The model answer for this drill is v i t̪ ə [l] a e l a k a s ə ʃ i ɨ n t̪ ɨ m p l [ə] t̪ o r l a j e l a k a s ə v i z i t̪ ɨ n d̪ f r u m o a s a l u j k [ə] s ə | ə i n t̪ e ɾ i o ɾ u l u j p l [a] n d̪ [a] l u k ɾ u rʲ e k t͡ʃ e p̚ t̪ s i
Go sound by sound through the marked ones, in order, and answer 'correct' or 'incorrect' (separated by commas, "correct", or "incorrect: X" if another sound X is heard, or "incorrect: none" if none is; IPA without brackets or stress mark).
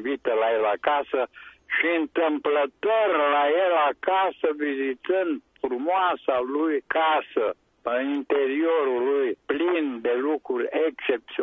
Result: correct, correct, incorrect: a, incorrect: i, incorrect: e